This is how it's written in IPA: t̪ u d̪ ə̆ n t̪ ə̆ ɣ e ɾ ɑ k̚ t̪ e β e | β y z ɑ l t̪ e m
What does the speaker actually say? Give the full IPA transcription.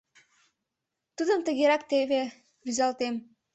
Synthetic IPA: t̪ u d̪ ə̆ m t̪ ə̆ ɣ e ɾ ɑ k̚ t̪ e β e | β y z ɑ l t̪ e m